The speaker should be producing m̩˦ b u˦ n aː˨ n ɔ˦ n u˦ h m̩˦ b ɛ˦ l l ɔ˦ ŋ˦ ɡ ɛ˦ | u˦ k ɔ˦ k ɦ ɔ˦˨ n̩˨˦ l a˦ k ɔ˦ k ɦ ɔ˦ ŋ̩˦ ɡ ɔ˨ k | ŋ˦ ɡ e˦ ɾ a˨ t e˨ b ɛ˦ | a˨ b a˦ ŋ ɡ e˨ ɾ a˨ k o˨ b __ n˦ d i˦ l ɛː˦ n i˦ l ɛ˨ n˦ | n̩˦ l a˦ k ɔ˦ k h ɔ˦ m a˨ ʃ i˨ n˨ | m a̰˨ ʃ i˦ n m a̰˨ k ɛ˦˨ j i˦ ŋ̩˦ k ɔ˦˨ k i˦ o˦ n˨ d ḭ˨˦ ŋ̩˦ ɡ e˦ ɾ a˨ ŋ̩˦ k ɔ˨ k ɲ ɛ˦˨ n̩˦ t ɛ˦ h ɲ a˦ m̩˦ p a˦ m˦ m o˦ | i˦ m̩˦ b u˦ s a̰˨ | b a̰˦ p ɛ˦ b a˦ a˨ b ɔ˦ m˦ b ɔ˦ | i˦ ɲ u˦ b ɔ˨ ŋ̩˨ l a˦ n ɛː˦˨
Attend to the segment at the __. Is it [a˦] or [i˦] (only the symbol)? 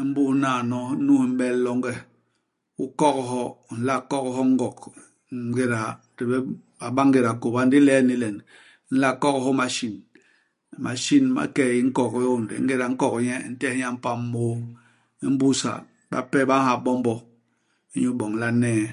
a˦